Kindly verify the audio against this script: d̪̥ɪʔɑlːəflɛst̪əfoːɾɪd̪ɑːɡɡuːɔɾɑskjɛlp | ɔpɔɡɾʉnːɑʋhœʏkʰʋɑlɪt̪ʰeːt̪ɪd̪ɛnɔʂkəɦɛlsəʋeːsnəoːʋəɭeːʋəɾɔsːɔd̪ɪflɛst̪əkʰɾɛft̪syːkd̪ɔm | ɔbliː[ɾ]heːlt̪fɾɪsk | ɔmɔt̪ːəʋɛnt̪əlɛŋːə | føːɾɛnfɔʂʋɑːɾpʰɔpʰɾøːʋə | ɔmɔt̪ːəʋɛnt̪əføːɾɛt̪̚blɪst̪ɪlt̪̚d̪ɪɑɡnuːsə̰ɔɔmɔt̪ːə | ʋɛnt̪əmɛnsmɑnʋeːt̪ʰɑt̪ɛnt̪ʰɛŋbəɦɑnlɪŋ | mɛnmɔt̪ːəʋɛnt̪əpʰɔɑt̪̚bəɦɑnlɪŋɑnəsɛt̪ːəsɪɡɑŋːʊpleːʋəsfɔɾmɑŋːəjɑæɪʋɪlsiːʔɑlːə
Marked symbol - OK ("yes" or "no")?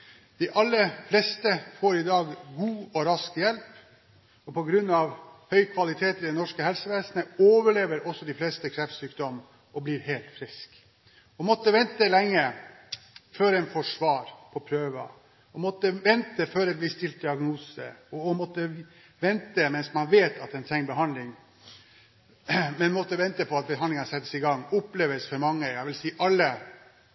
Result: yes